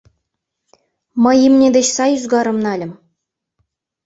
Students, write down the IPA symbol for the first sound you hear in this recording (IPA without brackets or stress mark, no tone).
m